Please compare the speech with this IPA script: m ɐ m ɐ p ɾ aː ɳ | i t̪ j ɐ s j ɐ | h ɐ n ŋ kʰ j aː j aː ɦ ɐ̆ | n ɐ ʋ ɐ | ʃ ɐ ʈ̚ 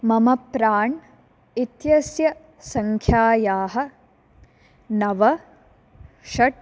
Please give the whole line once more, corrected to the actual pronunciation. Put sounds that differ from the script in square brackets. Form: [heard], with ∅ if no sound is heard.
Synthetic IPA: m ɐ m ɐ p ɾ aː ɳ | i t̪ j ɐ s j ɐ | [s] ɐ [∅] ŋ kʰ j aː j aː ɦ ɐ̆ | n ɐ ʋ ɐ | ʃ ɐ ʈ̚

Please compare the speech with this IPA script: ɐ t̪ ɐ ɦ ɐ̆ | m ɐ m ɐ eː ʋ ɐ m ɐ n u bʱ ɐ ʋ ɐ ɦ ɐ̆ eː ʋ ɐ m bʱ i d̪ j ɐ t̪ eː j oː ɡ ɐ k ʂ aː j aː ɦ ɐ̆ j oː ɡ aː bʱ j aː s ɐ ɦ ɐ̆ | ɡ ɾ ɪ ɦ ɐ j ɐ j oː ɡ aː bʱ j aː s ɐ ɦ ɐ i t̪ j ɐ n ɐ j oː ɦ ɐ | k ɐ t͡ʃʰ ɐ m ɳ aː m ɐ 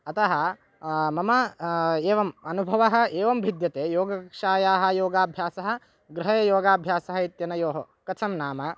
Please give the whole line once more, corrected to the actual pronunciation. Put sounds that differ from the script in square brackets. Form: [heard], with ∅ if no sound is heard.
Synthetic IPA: ɐ t̪ ɐ ɦ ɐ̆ | m ɐ m ɐ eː ʋ ɐ m ɐ n u bʱ ɐ ʋ ɐ ɦ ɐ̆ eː ʋ ɐ m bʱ i d̪ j ɐ t̪ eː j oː ɡ ɐ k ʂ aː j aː ɦ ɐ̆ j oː ɡ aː bʱ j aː s ɐ ɦ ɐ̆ | ɡ ɾ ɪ ɦ ɐ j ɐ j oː ɡ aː bʱ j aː s ɐ ɦ ɐ i t̪ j ɐ n ɐ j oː ɦ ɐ | k ɐ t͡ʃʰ ɐ m [n] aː m ɐ

